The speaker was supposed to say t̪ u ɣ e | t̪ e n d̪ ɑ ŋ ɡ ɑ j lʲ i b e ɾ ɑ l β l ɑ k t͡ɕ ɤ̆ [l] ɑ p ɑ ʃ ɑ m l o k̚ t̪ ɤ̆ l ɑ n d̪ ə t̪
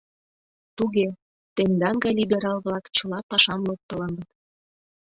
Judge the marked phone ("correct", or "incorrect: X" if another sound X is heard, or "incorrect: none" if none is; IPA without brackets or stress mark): correct